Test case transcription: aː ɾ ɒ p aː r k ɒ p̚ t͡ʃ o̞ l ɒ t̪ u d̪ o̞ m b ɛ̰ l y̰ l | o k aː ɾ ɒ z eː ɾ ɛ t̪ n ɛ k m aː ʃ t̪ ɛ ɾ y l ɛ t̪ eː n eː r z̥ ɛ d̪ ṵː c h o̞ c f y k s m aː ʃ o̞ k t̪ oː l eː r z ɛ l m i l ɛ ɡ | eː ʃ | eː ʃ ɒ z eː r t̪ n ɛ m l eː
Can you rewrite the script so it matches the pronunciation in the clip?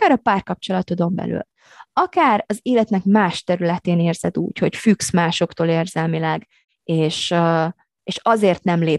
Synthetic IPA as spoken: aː ɾ ɒ p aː r k ɒ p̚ t͡ʃ o̞ l ɒ t̪ o d̪ o̞ m b ɛ̰ l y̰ l | ɒ k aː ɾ ɒ z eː l ɛ t̪ n ɛ k m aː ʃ t̪ ɛ ɾ y l ɛ t̪ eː n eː r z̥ ɛ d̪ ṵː c h o̞ c f y k s m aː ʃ o̞ k t̪ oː l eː r z ɛ l m i l ɛ ɡ | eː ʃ | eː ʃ ɒ z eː r t̪ n ɛ m l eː